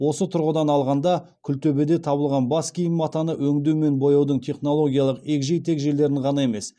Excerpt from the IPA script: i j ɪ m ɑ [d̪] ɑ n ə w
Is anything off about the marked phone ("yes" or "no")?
yes